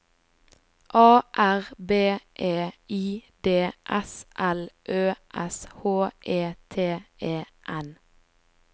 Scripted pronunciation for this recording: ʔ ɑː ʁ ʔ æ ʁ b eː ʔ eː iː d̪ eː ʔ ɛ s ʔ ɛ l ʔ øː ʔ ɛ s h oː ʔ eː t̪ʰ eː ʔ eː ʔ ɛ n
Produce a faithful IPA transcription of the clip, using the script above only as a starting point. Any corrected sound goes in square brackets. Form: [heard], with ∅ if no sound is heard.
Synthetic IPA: ʔ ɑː [∅] ʔ æ ʁ b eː ʔ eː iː d̪ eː ʔ ɛ s ʔ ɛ l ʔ øː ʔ ɛ s h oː ʔ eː t̪ʰ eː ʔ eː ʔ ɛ n